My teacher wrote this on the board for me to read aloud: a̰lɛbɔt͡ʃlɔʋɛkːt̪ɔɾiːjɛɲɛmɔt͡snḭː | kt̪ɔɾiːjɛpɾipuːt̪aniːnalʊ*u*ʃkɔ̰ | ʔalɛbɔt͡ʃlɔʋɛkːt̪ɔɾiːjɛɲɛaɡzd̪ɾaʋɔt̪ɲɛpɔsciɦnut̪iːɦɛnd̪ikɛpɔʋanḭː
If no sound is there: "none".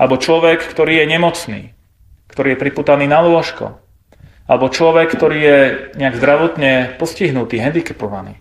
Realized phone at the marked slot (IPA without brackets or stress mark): ɔ